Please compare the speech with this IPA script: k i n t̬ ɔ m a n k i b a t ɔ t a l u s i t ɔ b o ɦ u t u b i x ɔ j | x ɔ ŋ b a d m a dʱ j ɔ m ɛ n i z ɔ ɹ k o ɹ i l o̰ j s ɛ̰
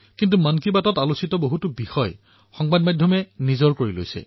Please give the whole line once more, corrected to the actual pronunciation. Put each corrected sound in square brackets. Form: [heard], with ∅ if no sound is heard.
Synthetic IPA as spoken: k i n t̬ [u] m a n k i b a t ɔ t a l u s i t ɔ b o ɦ u t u b i x ɔ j | x ɔ ŋ b a d m a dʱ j ɔ m ɛ n i z ɔ ɹ k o ɹ i l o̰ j s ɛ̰